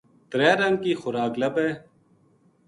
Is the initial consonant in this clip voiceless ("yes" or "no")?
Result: yes